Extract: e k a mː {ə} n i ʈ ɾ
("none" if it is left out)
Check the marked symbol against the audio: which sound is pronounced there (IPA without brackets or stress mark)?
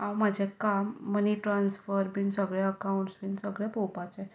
ə